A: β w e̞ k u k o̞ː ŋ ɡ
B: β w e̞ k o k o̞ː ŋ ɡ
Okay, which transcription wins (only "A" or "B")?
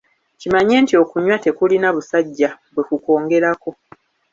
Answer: A